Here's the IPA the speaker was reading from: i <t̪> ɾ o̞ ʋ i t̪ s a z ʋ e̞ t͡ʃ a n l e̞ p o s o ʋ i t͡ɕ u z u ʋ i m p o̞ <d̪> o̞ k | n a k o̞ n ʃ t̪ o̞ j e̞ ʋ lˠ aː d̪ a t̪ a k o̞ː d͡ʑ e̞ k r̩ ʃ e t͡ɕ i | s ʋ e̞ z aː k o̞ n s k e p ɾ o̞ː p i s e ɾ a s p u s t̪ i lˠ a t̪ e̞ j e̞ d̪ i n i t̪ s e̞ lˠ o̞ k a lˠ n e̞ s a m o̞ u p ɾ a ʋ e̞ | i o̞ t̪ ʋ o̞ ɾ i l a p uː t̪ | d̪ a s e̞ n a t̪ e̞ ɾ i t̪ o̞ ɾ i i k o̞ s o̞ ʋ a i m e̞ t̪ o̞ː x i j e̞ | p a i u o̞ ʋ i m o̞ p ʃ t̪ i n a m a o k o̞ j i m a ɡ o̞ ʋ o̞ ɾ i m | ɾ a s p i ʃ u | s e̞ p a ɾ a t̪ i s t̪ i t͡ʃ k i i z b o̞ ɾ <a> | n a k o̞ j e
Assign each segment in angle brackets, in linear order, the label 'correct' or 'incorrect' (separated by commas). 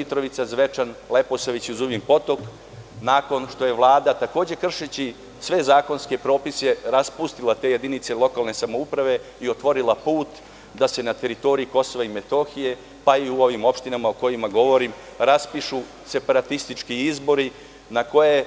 correct, incorrect, incorrect